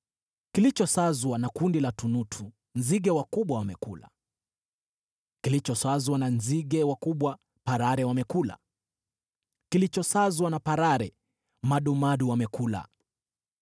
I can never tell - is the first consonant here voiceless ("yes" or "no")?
yes